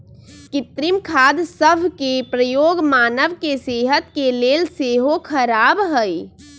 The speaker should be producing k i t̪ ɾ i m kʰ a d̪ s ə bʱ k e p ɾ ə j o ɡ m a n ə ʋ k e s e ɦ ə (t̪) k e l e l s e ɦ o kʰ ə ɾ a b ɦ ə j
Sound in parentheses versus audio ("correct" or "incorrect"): correct